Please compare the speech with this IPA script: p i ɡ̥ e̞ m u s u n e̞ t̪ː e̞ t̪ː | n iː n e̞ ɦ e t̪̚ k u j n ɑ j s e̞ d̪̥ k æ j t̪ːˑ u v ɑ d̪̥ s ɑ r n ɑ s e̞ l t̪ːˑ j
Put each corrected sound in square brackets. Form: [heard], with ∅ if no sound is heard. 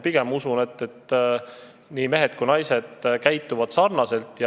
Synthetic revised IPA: p i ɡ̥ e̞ m u s u n e̞ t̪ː e̞ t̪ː | n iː [m] e̞ ɦ e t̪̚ k u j n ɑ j s e̞ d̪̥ k æ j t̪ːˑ u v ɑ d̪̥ s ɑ r n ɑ s e̞ l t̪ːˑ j